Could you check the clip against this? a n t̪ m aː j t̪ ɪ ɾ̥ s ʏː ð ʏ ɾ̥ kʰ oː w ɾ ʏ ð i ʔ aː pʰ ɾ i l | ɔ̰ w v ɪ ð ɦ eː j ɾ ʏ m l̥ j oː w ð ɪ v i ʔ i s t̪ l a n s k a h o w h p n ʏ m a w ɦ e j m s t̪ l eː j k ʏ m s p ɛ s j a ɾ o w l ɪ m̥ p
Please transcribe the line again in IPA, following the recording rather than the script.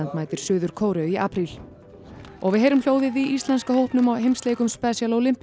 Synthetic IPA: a n t̪ m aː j t̪ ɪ ɾ̥ s ʏː ð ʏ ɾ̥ kʰ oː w ɾ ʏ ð i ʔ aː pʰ ɾ i l | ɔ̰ ɣ v ɪ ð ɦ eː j ɾ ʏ m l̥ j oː w ð ɪ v i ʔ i s t̪ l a n s k a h o w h p n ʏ m a w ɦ e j m s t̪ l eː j k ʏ m s p ɛ s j a l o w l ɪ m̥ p